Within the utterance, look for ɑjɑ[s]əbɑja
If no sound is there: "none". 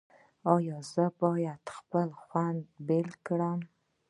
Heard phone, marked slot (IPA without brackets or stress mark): z